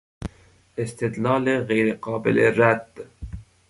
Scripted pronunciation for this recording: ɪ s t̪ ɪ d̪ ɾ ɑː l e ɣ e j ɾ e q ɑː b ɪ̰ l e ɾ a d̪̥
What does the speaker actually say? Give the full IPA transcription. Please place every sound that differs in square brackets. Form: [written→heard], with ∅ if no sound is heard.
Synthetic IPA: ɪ s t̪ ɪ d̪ [ɾ→l] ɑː l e ɣ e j ɾ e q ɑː b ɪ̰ l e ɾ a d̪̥